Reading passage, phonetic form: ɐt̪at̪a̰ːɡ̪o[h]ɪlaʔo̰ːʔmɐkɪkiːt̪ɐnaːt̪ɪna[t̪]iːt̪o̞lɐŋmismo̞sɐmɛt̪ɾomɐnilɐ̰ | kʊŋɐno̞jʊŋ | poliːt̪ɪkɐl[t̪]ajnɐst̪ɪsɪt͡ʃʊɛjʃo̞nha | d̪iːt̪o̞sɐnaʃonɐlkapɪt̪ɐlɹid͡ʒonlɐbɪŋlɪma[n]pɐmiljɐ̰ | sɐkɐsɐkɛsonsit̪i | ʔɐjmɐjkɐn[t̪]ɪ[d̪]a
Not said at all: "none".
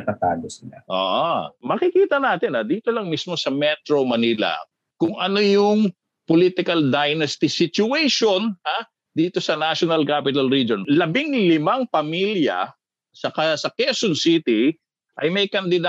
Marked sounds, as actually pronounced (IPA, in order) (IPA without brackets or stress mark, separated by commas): s, d̪, d̪, ŋ, d̪, d̪